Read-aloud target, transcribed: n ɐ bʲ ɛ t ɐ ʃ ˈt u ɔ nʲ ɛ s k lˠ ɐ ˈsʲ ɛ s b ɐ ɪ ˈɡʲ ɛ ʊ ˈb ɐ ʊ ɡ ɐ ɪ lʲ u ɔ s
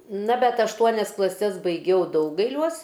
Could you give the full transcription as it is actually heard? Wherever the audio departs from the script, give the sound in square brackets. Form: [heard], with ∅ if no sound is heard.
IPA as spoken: n ɐ bʲ ɛ t ɐ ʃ ˈt u ɔ nʲ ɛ s k lˠ ɐ ˈsʲ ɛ s b ɐ ɪ ˈɡʲ ɛ ʊ [ˈd] ɐ ʊ ɡ ɐ ɪ lʲ u ɔ s